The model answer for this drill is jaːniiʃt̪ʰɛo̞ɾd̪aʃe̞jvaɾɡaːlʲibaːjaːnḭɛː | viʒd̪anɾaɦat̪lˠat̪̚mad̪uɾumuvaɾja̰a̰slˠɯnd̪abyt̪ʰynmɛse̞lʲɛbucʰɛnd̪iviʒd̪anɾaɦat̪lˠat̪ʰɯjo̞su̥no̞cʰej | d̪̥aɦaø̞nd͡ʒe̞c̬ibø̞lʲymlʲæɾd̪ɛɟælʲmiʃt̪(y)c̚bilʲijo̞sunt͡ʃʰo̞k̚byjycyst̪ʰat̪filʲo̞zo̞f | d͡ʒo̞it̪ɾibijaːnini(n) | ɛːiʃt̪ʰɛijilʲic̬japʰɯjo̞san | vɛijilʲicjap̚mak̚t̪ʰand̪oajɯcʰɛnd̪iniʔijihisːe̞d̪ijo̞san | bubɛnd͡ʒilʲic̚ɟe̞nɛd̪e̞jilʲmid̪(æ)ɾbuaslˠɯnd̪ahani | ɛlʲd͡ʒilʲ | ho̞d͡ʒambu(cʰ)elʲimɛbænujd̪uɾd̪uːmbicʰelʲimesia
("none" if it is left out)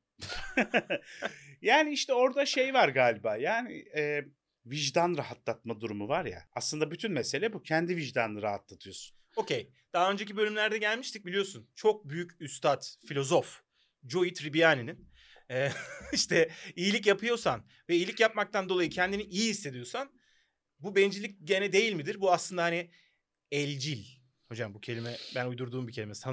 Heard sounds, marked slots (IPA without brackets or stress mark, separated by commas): i, n, i, cʰ